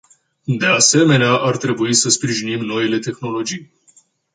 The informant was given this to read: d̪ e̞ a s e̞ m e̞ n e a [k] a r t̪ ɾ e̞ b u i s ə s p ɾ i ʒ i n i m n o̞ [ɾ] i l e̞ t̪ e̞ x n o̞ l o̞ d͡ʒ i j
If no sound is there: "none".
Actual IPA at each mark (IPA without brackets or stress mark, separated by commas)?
ʔ, none